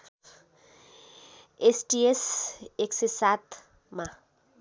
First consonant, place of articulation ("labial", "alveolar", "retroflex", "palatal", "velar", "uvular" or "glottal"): alveolar